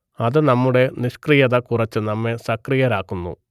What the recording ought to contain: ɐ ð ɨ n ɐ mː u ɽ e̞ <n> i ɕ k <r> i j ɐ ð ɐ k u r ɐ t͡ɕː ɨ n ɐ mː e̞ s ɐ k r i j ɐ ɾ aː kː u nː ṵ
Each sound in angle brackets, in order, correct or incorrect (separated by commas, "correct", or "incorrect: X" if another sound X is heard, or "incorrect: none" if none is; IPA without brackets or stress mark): correct, correct